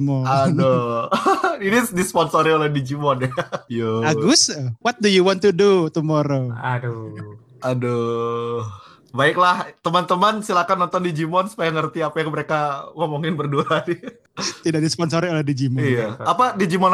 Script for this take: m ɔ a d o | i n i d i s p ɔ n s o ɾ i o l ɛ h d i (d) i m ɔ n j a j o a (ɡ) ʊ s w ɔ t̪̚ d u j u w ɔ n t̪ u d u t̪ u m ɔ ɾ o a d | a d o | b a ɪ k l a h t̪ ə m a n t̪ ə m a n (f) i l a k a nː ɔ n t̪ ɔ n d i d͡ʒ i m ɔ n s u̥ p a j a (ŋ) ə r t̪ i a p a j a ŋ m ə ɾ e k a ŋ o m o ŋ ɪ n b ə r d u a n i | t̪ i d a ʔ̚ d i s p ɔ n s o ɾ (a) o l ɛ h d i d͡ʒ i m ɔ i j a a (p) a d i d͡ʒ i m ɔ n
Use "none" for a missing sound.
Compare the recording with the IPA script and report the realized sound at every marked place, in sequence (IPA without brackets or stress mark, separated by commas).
d͡ʒ, ɡ, s, ŋ, i, p